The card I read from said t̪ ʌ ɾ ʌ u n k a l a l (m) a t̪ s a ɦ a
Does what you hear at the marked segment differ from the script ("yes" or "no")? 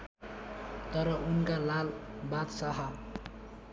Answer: yes